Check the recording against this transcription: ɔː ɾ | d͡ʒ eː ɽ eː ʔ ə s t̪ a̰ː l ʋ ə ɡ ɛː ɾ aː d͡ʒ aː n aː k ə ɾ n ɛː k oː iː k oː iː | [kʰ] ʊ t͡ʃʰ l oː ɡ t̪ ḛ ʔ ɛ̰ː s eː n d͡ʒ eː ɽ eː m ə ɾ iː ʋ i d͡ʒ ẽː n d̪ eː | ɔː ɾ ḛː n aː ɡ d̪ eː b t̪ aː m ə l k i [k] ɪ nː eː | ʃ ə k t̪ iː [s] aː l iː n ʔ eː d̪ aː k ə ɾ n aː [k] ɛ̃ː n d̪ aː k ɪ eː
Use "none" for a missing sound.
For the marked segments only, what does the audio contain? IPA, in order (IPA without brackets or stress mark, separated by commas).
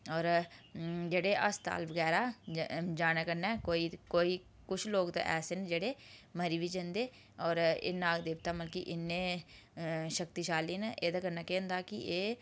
k, ʔ, ʃ, k